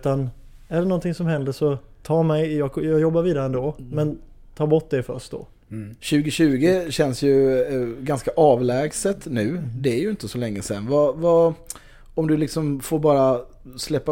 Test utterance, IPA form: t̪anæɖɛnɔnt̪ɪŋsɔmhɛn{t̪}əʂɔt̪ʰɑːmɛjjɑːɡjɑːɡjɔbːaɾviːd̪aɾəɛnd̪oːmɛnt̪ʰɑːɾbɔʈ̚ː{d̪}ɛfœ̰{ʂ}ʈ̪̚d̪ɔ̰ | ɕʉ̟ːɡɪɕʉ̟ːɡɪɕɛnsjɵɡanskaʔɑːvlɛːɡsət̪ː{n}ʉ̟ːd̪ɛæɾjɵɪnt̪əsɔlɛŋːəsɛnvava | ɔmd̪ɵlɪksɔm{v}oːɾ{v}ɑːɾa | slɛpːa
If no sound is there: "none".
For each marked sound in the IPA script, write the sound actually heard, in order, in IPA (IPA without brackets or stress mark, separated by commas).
d̪, d̪, ʂ, n, f, b